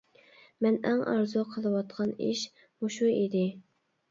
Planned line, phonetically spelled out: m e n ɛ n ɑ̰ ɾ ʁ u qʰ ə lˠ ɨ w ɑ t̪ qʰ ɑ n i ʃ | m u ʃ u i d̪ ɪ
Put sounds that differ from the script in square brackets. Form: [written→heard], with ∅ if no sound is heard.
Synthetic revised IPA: m [e→ɛ] n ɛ [n→ŋ] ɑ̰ ɾ [ʁ→z] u qʰ ə lˠ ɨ w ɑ t̪ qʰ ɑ n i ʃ | m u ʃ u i d̪ ɪ